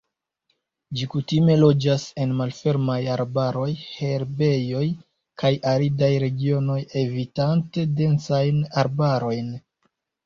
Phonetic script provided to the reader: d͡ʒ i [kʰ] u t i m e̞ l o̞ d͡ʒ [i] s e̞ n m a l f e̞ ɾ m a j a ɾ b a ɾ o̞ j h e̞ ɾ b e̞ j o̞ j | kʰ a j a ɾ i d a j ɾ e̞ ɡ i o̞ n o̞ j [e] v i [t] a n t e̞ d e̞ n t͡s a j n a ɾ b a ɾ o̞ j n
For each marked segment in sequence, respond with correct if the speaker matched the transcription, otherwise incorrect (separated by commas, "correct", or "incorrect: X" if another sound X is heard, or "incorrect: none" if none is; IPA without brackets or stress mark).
incorrect: k, incorrect: a, correct, correct